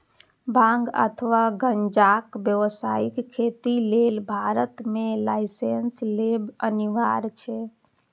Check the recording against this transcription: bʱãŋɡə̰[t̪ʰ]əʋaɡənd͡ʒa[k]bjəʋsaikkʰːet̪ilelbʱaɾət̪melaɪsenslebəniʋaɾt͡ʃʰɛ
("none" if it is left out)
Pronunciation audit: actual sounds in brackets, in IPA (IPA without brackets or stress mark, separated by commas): t̪ʰ, k